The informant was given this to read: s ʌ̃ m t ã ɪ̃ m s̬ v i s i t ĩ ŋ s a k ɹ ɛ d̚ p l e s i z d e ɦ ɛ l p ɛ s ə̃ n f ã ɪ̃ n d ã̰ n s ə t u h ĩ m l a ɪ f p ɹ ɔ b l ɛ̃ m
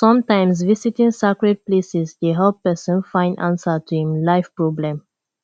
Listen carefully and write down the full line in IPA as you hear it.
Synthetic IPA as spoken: s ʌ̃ m t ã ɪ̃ m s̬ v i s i t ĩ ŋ s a k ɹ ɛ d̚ p l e s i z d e ɦ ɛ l p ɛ s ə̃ n f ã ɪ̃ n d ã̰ n s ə t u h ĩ m l a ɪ f p ɹ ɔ b l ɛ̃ m

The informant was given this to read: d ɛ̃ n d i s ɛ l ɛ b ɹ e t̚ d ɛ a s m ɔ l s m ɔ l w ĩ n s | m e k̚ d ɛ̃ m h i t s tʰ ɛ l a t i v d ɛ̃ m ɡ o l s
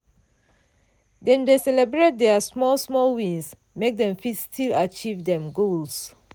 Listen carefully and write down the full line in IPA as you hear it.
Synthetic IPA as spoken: d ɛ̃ n d e s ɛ l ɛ b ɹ e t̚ d ɛ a s m ɔ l s m ɔ l w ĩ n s | m e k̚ d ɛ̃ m f i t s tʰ i l a t͡ʃ i v d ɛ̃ m ɡ o l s

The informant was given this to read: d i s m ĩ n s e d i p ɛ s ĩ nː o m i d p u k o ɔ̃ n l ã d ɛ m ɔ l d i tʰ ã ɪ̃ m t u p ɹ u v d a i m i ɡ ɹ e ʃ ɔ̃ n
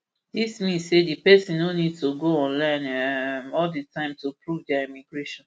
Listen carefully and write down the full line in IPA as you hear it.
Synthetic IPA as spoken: d i s m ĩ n s e d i p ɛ s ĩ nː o n i d t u ɡ o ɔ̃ n l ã n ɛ m ɔ l d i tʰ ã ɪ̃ m t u p ɹ u v d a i m i ɡ ɹ e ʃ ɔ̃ n

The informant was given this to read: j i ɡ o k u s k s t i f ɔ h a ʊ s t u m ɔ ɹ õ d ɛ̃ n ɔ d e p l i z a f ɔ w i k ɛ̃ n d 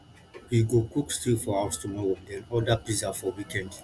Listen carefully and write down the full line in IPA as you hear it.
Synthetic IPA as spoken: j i ɡ o k u k s t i f ɔ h a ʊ s t u m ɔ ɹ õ d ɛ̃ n ɔ d a p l i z a f ɔ w i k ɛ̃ n d

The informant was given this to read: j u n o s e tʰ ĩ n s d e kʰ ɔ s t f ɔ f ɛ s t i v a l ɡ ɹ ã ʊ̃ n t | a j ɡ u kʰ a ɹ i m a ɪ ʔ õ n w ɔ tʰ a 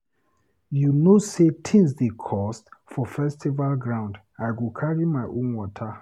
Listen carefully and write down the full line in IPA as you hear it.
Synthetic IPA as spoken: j u n o s e tʰ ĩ n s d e kʰ ɔ s t f ɔ f ɛ s t i v a l ɡ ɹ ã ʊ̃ n d | a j ɡ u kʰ a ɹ i m a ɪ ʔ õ n w ɔ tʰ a

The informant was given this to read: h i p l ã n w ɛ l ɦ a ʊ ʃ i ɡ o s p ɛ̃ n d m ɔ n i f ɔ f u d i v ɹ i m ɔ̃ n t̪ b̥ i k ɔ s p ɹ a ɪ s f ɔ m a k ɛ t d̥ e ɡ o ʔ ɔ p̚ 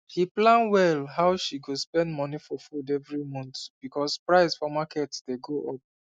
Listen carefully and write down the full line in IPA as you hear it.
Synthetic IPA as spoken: h i p l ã n w ɛ l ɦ a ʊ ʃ i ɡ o s p ɛ̃ n d m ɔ n i f ɔ f u d ɛ v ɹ i m ɔ̃ n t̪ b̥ i k ɔ s p ɹ a ɪ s f ɔ m a k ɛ t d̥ e ɡ o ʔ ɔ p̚

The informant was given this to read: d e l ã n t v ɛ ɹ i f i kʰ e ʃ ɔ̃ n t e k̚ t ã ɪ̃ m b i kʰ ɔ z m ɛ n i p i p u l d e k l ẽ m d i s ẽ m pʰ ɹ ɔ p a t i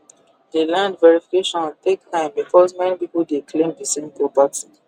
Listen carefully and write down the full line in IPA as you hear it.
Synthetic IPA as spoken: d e l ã n d v ɛ ɹ i f i k e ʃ ɔ̃ n t e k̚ t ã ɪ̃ m b i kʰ ɔ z m ɛ n i p i p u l d e k l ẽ m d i s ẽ m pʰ ɹ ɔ p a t i

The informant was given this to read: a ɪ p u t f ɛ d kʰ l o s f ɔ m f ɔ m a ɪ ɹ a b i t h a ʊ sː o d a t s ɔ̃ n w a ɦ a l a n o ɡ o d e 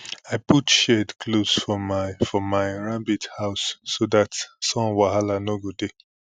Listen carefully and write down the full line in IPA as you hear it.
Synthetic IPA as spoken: a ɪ p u t ʃ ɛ d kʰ l o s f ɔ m f ɔ m a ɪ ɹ a b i t h a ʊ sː o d a t s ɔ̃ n w a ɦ a l a n o ɡ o d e

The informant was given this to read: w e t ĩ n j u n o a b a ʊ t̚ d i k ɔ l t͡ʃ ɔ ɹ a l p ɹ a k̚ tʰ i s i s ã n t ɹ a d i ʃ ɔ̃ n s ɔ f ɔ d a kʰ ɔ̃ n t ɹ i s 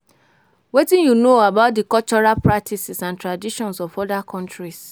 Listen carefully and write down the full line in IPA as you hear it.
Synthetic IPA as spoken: w e t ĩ n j u n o a b a ʊ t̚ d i k ɔ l t͡ʃ ɔ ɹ a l p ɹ a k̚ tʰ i s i s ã n t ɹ a d i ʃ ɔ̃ n s ɔ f ɔ d a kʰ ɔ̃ n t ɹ i s

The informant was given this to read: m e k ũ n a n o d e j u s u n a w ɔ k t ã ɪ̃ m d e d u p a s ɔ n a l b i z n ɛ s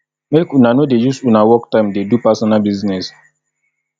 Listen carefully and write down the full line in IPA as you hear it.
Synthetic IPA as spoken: m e k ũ n a n o d e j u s u n a w ɔ k t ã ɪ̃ m d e d u p a s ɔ n a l b i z n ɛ s

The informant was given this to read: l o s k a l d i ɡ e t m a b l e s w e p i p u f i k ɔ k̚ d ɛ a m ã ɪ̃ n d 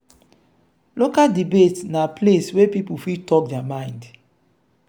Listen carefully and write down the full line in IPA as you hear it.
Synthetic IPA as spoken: l o k a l d i b e t n a p l e s w e p i p u f i t ɔ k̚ d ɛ a m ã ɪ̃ n d

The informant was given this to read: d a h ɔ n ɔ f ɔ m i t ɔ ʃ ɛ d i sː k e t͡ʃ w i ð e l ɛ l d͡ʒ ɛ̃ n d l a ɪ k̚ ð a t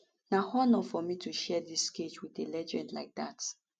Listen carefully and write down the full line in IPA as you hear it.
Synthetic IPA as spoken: n a h ɔ n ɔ f ɔ m i t u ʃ ɛ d i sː k e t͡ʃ w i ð e l ɛ d͡ʒ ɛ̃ n d l a ɪ k̚ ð a t

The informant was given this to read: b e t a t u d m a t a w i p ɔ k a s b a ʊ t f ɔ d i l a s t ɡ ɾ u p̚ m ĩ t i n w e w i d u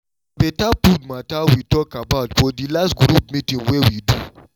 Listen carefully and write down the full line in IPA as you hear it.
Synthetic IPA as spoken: b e t a p u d m a t a w i t ɔ k a b a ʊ t f ɔ d i l a s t ɡ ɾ u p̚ m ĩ t ĩ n w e w i d u

